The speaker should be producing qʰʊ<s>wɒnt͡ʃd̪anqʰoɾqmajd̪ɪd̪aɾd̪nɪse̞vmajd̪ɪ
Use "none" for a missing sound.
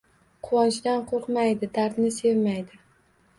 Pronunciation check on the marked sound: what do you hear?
none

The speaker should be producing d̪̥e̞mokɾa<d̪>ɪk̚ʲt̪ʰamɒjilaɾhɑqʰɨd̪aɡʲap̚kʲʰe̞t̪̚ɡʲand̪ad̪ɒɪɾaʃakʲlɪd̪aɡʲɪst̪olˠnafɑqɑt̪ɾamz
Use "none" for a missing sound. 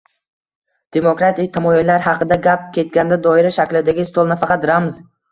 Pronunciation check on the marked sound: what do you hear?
t̪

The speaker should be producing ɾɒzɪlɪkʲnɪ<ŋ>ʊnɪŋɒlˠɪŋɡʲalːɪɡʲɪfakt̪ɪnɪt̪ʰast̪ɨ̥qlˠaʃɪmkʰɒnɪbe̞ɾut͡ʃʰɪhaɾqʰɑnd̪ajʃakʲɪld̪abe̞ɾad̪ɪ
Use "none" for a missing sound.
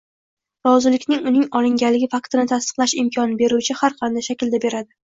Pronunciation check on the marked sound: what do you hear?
ŋ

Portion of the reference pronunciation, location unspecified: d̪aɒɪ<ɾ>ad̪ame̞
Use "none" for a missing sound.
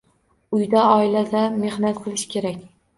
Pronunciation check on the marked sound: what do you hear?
l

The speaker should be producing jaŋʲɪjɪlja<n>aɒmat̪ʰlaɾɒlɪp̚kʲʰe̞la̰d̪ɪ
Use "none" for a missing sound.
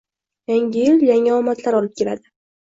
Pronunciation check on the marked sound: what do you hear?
ŋ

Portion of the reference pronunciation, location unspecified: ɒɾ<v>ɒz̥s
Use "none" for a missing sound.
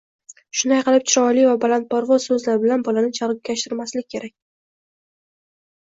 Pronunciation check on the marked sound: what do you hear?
v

